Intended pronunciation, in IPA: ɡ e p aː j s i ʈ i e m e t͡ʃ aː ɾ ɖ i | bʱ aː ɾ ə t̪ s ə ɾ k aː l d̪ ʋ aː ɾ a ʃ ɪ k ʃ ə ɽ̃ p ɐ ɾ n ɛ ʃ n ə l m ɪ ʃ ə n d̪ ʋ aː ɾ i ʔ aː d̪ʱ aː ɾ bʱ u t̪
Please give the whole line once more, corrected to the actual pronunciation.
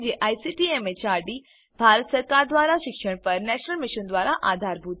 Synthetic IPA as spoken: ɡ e ʔ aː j s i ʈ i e m e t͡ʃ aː ɾ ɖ i | bʱ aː ɾ ə t̪ s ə ɾ k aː ɾ d̪ ʋ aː ɾ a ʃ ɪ k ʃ ə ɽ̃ p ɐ ɾ n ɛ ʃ n ə l m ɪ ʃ ə n d̪ ʋ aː ɾ a ʔ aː d̪ʱ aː ɾ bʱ u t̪